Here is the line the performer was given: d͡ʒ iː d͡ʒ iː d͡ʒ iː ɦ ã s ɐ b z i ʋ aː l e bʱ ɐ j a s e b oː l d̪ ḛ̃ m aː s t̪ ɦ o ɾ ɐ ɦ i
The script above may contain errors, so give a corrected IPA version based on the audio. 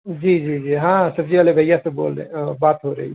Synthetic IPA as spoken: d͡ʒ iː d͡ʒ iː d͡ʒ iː ɦ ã s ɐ b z i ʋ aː l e bʱ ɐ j a s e b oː l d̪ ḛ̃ b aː t̪ ɦ o ɾ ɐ ɦ i

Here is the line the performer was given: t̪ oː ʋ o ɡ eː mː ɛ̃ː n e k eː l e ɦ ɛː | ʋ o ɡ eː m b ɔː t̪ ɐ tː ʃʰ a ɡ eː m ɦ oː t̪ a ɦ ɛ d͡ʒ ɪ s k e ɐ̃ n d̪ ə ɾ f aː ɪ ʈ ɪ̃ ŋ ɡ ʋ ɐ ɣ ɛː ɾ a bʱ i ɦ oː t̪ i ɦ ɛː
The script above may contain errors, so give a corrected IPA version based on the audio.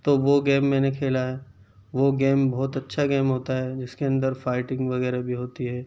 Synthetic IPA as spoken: t̪ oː ʋ o ɡ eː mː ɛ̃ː n e kʰ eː l a ɦ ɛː | ʋ o ɡ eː m b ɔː t̪ ɐ tː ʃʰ a ɡ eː m ɦ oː t̪ a ɦ ɛ d͡ʒ ɪ s k e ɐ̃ n d̪ ə ɾ f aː ɪ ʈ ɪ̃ ŋ ɡ ʋ ɐ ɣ ɛː ɾ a bʱ i ɦ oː t̪ i ɦ ɛː

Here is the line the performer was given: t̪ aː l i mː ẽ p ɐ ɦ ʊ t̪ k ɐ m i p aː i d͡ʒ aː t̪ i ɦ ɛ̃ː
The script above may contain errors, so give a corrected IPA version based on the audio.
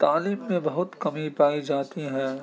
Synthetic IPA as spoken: t̪ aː l iː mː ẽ b ɐ ɦ ʊ t̪ k ɐ m i p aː i d͡ʒ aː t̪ i ɦ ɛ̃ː

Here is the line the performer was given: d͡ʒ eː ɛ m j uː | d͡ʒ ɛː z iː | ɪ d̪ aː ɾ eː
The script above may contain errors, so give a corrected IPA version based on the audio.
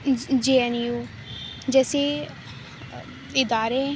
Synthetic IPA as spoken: d͡ʒ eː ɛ n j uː | d͡ʒ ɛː s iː | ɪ d̪ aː ɾ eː

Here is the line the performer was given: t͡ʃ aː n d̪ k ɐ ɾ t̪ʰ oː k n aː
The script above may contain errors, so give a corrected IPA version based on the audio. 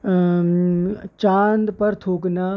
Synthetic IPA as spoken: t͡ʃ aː n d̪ p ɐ ɾ t̪ʰ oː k n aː

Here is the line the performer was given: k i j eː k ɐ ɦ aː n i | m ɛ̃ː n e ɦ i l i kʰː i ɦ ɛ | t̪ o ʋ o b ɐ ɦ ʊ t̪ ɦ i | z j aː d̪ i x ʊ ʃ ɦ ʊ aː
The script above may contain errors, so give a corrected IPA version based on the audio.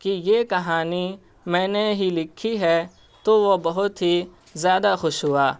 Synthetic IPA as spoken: k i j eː k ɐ ɦ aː n i | m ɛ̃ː n e ɦ i l ɪ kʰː i ɦ ɛ | t̪ o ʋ o b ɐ ɦ ʊ t̪ ɦ i | z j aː d̪ a x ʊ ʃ ɦ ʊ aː

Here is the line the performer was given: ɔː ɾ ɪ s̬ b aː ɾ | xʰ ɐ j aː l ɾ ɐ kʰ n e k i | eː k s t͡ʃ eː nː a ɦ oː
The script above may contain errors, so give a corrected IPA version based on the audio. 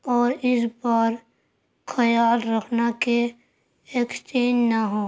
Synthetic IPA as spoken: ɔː ɾ ɪ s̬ b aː ɾ | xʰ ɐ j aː l ɾ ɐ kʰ n a k e | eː k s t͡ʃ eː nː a ɦ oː

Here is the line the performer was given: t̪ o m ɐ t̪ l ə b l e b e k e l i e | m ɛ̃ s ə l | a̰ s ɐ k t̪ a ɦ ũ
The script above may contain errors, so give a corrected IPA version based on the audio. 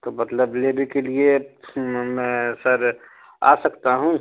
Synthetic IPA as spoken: t̪ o m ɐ t̪ l ə b l e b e k e l i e | m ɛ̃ s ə ɾ | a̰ s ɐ k t̪ a ɦ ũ

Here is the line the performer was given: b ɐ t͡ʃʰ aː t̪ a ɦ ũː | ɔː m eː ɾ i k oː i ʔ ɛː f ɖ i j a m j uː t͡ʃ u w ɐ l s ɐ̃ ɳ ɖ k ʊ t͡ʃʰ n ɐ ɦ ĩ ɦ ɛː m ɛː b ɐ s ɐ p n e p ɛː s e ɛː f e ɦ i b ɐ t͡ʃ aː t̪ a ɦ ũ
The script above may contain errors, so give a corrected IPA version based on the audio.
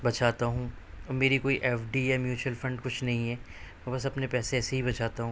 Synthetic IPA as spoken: b ɐ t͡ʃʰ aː t̪ a ɦ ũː | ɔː m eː ɾ i k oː i ʔ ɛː f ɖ i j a m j uː t͡ʃ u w ə l f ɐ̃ ɳ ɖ k ʊ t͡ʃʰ n ɐ ɦ ĩ ɦ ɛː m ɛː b ɐ s ɐ p n e p ɛː s e ɛː s e ɦ i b ɐ t͡ʃ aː t̪ a ɦ ũ

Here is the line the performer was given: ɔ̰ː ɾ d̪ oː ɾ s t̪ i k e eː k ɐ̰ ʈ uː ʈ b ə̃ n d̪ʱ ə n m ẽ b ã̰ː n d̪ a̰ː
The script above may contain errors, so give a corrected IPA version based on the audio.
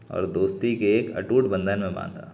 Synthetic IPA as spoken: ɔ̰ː ɾ d̪ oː s t̪ i k e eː k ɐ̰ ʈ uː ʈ b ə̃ n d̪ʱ ə n m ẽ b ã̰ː n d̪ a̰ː

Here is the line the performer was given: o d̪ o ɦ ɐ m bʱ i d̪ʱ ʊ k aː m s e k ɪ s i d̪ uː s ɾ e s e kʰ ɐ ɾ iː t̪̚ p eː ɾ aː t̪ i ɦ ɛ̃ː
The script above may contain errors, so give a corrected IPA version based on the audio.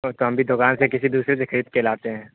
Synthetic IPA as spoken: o t̪ o ɦ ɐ m bʱ i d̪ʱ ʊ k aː n s e k ɪ s i d̪ uː s ɾ e s e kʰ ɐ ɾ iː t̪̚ k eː l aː t̪ e ɦ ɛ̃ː

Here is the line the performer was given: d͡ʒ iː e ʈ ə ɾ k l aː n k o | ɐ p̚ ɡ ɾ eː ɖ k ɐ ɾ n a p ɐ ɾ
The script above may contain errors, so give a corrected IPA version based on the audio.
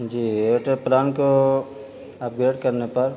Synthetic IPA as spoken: d͡ʒ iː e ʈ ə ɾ p l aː n k o | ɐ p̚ ɡ ɾ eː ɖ k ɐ ɾ n e p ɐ ɾ

